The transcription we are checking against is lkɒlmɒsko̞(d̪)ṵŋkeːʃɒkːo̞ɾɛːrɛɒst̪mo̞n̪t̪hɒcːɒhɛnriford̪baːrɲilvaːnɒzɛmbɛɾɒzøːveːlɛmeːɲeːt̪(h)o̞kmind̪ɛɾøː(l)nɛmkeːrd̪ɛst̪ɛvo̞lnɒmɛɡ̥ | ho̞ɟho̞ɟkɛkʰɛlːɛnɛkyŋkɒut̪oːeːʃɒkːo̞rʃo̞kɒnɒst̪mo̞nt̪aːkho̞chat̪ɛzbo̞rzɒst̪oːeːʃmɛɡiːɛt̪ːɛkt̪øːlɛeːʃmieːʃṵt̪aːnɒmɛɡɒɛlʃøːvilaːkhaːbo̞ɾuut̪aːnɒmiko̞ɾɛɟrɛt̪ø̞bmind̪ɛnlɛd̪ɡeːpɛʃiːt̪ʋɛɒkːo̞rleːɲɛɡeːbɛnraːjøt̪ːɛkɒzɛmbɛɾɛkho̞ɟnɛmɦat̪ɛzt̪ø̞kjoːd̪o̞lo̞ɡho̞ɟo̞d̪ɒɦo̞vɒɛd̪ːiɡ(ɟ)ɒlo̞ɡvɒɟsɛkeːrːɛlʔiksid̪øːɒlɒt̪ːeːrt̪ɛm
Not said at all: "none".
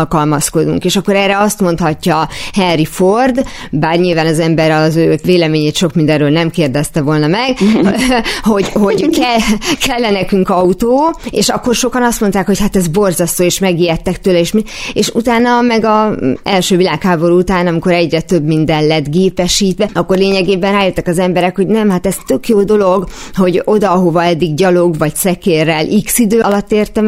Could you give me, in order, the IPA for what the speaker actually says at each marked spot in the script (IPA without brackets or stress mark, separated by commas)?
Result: d̪, ʃ, l, ɟ